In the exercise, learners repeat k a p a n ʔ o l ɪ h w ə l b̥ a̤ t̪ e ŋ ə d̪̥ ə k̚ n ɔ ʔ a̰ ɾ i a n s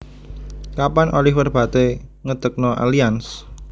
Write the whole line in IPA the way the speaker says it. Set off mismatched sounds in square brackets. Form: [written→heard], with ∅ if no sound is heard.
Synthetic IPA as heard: k a p a n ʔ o l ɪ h w ə [l→r] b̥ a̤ t̪ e ŋ ə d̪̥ ə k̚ n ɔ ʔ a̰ [ɾ→l] i a n s

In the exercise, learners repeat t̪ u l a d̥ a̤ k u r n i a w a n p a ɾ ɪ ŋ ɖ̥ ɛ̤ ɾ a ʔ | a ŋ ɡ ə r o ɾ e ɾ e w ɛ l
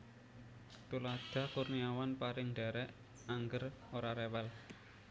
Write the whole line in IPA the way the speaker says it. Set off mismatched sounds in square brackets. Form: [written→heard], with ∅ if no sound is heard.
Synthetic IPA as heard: t̪ u l a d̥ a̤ k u r n i a w a n p a ɾ ɪ ŋ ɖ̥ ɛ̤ ɾ [a→ɛ] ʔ | a ŋ ɡ ə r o ɾ [e→a] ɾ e w ɛ l

